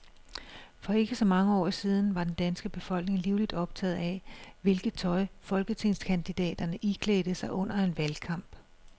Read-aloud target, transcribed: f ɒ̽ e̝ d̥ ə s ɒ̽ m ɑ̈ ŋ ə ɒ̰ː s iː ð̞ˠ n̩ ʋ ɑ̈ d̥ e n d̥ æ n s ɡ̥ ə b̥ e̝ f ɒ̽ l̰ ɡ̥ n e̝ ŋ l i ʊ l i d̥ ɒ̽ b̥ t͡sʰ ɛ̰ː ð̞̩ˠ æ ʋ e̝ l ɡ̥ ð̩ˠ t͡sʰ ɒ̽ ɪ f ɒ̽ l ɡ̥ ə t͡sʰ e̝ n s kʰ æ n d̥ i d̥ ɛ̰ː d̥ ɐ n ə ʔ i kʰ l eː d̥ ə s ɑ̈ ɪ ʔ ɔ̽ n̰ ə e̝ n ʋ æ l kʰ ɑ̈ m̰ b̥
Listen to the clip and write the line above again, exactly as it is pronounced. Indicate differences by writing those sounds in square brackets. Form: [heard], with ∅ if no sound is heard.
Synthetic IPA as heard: f ɒ̽ e̝ [ɡ̥] ə s ɒ̽ m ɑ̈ ŋ ə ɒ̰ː s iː ð̞ˠ n̩ ʋ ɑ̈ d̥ e n d̥ æ n s ɡ̥ ə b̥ e̝ f ɒ̽ l̰ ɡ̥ n e̝ ŋ l i ʊ l i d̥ ɒ̽ b̥ t͡sʰ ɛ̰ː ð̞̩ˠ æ ʋ e̝ l ɡ̥ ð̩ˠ t͡sʰ ɒ̽ ɪ f ɒ̽ l ɡ̥ ə t͡sʰ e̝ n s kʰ æ n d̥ i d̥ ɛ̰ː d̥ ɐ n ə ʔ i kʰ l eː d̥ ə s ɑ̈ ɪ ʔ ɔ̽ n̰ [ɐ] e̝ n ʋ æ l kʰ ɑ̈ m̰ b̥

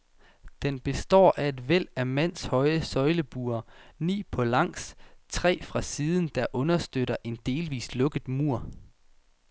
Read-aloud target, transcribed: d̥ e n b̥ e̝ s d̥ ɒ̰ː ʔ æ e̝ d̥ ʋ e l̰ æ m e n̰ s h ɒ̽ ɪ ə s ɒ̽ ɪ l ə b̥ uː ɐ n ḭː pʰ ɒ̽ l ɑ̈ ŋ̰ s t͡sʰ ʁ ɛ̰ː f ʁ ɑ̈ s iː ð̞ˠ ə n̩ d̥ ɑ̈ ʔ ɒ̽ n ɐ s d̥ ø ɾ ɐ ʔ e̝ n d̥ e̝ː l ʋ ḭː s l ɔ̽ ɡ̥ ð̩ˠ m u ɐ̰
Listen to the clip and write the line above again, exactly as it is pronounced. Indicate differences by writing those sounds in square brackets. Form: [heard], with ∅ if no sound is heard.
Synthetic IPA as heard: d̥ e n b̥ e̝ s d̥ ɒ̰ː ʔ æ e̝ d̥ ʋ e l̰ æ m [æ] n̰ s h ɒ̽ ɪ ə s ɒ̽ ɪ l ə b̥ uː ɐ n ḭː pʰ ɒ̽ l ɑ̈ ŋ̰ s t͡sʰ ʁ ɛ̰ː f ʁ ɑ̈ s iː ð̞ˠ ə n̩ d̥ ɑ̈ ʔ [ɔ̽] n ɐ s d̥ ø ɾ ɐ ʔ e̝ n d̥ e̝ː l ʋ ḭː s l ɔ̽ ɡ̥ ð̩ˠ m u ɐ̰

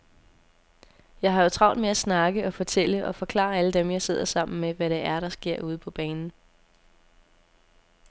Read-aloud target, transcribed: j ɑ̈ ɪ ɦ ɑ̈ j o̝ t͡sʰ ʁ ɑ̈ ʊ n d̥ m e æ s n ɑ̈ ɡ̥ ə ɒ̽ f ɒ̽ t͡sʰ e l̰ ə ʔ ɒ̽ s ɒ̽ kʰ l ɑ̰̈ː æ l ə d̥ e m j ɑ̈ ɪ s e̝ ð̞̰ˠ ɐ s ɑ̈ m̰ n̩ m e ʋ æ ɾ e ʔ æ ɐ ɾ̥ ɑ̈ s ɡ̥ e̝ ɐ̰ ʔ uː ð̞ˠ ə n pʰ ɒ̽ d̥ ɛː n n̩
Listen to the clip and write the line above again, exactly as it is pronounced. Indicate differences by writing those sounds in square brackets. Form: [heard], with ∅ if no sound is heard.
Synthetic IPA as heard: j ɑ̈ ɪ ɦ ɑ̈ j o̝ t͡sʰ ʁ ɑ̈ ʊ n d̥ m e æ s n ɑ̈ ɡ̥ ə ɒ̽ f ɒ̽ t͡sʰ e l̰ ə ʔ ɒ̽ [f] ɒ̽ kʰ l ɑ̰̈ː æ l ə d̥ e m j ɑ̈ ɪ s e̝ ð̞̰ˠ ɐ s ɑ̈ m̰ n̩ m e ʋ æ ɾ e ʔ æ ɐ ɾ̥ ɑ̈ s ɡ̥ e̝ ɐ̰ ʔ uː ð̞ˠ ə [∅] pʰ ɒ̽ [b̥] ɛː n n̩

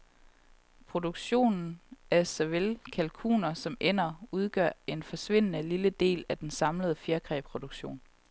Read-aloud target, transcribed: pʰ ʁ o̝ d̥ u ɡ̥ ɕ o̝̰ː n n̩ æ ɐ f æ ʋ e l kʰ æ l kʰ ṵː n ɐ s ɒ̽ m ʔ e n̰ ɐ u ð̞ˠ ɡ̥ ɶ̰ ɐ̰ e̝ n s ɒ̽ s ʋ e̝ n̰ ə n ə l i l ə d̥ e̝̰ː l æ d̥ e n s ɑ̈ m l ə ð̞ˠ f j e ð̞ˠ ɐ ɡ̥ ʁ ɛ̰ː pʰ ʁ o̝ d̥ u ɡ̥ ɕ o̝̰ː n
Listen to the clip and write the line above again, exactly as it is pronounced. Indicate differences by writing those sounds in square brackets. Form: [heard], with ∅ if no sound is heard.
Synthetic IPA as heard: pʰ ʁ o̝ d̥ u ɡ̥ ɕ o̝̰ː n n̩ æ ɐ [s] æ ʋ e l kʰ æ l kʰ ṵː n ɐ s ɒ̽ m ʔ e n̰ ɐ u ð̞ˠ ɡ̥ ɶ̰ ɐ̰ e̝ n [f] ɒ̽ s ʋ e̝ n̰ ə n ə l i l ə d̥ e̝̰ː l æ d̥ e n s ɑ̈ m l ə ð̞ˠ f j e [∅] ɐ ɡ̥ ʁ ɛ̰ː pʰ ʁ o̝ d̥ u ɡ̥ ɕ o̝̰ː n

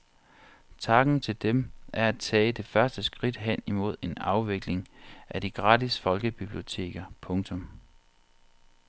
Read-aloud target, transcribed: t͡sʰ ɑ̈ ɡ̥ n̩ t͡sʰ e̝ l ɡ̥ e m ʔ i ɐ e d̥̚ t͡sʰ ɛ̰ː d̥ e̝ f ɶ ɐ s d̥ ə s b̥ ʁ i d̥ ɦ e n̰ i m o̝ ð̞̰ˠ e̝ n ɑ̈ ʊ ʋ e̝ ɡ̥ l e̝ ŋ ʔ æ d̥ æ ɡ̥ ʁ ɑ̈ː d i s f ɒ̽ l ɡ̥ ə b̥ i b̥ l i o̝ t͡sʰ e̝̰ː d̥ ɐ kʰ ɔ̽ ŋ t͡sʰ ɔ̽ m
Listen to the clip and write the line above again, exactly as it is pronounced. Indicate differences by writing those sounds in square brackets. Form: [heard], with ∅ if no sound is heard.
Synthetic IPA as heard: t͡sʰ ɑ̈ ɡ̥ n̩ t͡sʰ e̝ l [d̥] e m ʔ [æ] ɐ [æ] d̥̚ t͡sʰ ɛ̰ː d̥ e̝ f ɶ ɐ s d̥ ə s [ɡ̥] ʁ i d̥ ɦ e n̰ i m o̝ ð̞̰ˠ e̝ n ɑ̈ ʊ ʋ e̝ ɡ̥ l e̝ ŋ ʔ æ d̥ [i] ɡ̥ ʁ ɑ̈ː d i s f ɒ̽ l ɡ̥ ə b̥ i b̥ l i o̝ t͡sʰ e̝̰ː [ɡ̥] ɐ [pʰ] ɔ̽ ŋ t͡sʰ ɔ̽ m

